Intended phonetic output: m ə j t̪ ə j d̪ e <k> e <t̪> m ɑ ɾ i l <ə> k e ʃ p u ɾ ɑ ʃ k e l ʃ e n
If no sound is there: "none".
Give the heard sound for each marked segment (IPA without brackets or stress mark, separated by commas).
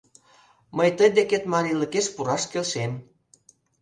k, t̪, ə